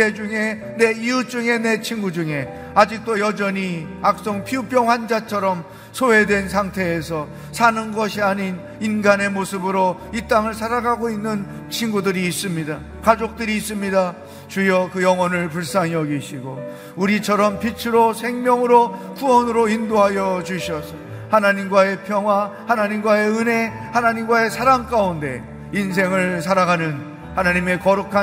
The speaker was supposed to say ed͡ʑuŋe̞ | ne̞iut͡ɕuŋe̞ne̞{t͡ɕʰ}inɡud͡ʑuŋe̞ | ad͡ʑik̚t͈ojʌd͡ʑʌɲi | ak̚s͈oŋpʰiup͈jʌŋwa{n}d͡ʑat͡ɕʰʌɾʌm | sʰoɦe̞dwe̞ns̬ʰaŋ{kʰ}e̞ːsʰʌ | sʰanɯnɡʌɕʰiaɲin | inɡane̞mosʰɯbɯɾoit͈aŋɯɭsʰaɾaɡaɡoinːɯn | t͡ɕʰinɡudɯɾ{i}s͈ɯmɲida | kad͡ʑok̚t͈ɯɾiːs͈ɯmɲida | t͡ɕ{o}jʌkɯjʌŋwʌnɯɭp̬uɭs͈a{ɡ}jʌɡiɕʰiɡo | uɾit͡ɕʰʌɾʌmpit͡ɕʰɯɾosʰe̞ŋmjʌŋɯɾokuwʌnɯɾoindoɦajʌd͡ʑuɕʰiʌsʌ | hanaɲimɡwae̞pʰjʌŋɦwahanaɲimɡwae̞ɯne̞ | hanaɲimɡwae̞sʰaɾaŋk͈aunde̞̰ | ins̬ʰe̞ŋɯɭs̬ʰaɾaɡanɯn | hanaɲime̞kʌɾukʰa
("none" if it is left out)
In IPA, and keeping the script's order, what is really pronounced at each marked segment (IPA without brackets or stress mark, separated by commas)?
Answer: t͡ɕʰ, n, tʰ, iː, u, ŋ